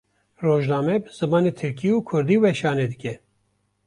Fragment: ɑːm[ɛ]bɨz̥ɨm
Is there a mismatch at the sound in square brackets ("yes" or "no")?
no